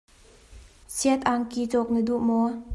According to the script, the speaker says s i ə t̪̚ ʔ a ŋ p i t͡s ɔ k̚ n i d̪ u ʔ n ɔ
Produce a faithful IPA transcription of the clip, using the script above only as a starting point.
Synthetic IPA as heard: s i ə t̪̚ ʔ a ŋ k i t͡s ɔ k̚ n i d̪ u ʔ m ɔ